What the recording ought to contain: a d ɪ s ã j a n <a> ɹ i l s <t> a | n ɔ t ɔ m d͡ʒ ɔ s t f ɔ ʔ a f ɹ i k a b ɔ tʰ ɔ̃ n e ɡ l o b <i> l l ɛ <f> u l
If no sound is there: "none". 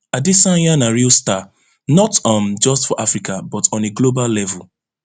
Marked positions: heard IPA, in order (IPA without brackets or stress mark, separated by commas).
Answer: a, t, a, v